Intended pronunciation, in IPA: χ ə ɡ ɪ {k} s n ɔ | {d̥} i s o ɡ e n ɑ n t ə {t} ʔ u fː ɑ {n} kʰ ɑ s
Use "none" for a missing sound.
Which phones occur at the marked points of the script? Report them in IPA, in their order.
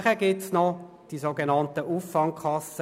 t, d̥, none, ŋ

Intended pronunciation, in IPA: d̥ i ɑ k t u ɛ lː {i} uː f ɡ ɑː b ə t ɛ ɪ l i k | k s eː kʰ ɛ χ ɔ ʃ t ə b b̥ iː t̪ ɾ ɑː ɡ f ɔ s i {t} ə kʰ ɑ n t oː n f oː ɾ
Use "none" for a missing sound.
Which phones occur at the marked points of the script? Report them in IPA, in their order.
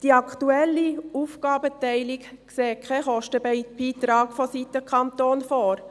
i, t

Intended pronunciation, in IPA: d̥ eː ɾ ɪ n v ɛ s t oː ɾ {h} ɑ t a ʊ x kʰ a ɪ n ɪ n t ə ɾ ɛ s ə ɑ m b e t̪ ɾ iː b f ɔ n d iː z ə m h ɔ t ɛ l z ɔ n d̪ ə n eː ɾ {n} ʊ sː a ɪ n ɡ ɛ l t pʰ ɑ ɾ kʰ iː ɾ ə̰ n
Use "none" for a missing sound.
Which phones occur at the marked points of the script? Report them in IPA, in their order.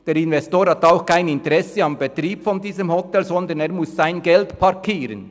h, m

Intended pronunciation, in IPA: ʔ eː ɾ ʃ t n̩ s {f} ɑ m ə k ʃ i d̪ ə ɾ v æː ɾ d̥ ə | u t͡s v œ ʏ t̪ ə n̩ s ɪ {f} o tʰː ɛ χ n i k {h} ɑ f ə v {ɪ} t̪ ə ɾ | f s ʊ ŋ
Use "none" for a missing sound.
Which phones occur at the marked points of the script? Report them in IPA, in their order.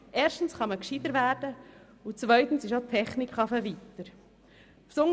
χ, ʃ, χ, i

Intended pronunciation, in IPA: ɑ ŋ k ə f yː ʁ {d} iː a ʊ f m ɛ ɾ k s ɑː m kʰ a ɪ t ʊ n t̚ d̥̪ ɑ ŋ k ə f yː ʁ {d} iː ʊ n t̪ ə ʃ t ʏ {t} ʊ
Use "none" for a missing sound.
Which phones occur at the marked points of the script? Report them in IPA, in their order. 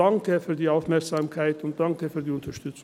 d, d, t͡s

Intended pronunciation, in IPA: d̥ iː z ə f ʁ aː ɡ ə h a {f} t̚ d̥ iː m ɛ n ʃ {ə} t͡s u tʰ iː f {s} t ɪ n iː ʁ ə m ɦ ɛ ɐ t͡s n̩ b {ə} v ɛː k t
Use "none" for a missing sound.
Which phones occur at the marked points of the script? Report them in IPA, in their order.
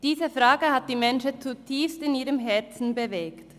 none, ə, s, ə

